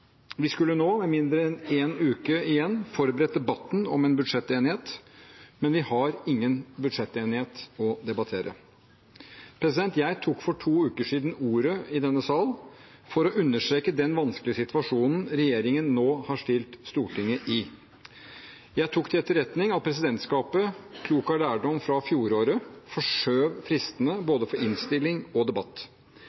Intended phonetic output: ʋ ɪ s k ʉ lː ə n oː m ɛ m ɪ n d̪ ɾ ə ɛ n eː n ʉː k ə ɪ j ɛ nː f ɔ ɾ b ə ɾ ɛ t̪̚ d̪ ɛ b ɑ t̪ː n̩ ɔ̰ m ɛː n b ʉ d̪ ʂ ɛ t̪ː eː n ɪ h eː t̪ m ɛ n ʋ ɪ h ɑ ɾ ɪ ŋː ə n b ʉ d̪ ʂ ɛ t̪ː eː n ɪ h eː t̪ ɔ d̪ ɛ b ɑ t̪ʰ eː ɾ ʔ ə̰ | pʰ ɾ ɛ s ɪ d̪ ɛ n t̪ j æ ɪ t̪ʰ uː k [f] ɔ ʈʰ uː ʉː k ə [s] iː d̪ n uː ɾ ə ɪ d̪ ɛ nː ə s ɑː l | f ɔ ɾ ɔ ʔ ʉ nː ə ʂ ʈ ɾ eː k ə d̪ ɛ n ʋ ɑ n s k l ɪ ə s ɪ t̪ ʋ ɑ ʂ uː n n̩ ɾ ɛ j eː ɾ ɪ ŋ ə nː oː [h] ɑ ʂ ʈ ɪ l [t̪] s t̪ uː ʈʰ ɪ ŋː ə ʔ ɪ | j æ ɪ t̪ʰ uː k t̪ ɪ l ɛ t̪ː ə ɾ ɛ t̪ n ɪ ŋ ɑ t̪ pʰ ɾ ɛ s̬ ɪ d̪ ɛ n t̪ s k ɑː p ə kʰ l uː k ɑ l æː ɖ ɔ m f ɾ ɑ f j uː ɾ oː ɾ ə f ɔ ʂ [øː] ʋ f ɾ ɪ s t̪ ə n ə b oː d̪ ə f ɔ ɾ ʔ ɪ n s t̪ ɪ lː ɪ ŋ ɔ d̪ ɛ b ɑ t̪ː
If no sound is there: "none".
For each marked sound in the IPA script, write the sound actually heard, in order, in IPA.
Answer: f, ʂ, h, t̪, øː

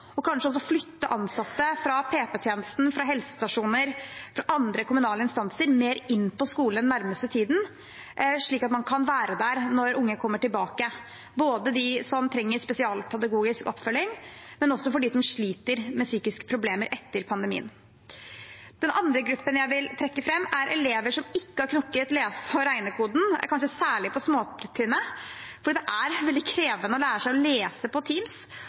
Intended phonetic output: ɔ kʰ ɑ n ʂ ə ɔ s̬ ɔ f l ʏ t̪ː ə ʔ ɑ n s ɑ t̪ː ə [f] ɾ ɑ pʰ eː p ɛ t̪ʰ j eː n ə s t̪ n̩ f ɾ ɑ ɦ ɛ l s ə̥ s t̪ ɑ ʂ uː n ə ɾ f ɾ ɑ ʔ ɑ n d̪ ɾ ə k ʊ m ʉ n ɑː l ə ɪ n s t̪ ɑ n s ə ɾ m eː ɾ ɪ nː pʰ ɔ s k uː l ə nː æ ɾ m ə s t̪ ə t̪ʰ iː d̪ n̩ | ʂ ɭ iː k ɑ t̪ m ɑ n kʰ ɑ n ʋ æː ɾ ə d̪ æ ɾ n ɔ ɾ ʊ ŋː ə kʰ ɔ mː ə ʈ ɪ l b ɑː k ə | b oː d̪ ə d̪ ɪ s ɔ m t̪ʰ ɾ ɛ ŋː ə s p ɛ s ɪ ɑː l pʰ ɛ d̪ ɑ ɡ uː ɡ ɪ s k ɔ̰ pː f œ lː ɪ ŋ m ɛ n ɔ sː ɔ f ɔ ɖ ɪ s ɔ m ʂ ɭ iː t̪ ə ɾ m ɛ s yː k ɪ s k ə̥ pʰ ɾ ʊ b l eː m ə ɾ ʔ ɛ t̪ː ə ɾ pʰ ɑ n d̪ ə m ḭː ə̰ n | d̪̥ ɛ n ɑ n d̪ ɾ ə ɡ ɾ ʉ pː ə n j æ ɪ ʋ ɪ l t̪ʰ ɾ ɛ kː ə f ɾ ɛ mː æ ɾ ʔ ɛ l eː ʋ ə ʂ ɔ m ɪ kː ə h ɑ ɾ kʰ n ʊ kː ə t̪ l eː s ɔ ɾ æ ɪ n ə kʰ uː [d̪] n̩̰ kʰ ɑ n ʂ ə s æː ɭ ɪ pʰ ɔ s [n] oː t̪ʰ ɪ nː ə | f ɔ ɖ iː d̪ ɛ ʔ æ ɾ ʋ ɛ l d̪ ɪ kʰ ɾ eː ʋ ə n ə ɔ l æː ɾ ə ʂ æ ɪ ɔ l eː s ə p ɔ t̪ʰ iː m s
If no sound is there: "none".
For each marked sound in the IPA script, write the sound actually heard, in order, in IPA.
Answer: f, d̪, m

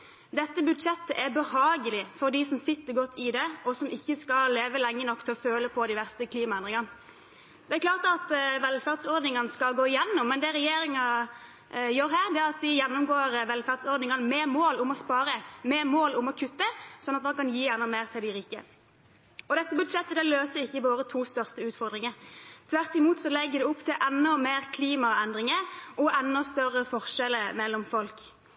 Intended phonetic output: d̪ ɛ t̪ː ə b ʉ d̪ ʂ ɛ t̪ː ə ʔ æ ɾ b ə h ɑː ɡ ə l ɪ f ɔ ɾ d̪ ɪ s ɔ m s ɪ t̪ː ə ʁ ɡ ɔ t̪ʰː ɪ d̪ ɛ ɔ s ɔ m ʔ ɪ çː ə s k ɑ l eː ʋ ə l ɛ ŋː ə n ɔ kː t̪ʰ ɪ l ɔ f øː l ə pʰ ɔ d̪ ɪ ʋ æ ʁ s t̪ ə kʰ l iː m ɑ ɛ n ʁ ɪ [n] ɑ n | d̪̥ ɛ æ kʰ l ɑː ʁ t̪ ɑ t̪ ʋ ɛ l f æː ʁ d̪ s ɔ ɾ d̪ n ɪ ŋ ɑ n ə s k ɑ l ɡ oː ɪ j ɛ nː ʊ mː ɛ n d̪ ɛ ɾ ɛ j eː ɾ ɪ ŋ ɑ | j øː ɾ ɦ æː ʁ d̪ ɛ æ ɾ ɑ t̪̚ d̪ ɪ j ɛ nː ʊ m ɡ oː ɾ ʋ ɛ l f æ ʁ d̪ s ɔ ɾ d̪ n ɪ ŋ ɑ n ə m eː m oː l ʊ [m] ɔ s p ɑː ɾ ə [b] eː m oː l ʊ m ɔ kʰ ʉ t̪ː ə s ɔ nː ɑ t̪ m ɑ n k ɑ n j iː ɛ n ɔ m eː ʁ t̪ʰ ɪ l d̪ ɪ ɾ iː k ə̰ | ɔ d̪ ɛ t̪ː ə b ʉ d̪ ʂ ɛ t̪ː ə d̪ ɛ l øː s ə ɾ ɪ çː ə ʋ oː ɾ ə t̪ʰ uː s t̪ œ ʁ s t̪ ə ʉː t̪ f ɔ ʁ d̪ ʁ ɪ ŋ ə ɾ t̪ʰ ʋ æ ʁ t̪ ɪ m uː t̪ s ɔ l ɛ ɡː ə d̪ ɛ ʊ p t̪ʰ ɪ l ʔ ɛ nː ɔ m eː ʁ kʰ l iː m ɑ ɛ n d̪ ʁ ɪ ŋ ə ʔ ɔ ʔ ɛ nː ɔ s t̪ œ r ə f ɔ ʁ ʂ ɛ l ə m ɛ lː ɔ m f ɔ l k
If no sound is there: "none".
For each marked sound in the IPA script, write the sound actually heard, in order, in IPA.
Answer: ŋ, m, m

